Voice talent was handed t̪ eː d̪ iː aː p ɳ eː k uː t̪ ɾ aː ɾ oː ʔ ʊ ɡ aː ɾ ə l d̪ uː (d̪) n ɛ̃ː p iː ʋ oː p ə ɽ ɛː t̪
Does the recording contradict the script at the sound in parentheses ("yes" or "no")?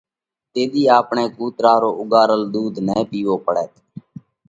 no